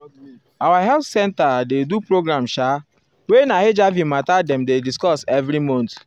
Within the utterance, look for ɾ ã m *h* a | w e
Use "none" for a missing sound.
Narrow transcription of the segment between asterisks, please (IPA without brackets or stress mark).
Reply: ʃ